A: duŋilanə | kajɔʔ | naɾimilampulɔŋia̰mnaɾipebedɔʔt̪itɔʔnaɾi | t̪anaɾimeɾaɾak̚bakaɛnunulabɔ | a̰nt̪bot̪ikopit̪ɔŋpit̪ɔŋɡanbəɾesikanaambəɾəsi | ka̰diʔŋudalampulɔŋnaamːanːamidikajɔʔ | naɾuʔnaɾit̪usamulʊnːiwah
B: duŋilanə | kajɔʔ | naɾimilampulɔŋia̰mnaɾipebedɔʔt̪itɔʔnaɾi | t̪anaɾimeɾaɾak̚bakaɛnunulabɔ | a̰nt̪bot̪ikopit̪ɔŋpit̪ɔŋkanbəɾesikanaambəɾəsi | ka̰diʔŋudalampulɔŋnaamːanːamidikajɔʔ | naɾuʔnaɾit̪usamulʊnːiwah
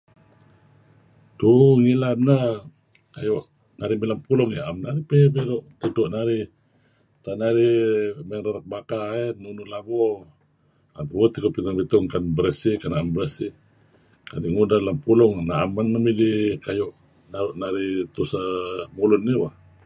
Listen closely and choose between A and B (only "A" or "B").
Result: B